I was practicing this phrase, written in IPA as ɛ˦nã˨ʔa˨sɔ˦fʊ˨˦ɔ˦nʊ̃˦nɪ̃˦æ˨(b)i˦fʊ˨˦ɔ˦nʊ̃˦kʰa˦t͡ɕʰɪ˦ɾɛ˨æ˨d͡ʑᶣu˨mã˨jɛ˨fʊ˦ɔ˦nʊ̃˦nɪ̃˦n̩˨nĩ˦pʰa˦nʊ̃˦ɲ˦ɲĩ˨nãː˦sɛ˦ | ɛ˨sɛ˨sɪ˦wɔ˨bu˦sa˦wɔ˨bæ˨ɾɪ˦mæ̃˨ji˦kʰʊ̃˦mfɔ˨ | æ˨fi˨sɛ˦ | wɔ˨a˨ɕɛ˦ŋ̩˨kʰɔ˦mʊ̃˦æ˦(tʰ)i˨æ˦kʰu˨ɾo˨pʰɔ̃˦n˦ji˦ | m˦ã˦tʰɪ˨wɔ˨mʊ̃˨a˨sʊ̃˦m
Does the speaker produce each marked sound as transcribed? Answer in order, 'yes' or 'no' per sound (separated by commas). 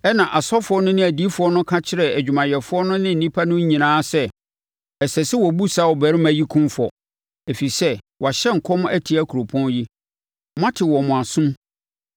no, yes